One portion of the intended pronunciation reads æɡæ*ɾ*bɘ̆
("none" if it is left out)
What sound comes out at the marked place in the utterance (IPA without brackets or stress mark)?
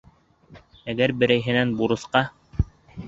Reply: ɾ